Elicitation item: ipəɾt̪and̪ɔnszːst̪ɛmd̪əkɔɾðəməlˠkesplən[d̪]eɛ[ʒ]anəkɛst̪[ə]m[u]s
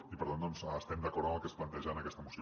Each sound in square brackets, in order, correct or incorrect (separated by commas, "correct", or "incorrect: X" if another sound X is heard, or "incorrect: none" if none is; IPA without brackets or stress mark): incorrect: t̪, correct, correct, correct